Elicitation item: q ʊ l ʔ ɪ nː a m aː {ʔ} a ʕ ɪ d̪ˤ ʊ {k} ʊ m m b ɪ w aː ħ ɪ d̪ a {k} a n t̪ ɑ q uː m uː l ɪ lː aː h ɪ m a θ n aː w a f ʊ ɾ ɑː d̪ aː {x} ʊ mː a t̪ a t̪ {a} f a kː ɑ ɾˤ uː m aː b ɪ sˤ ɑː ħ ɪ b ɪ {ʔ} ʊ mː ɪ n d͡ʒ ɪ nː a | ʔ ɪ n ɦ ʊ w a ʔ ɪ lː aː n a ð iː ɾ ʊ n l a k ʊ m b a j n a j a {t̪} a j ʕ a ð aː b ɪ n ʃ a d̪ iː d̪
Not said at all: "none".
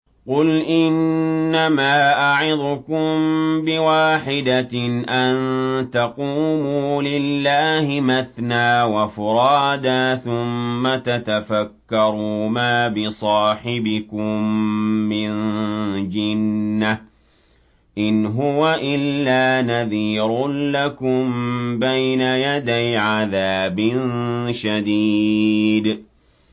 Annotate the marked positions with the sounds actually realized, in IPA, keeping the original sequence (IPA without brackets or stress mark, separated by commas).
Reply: ʔ, k, ʔ, θ, a, k, d̪